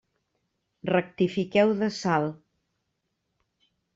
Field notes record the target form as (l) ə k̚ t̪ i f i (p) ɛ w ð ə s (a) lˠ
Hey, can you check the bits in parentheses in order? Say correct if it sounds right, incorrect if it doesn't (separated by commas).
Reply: incorrect, incorrect, correct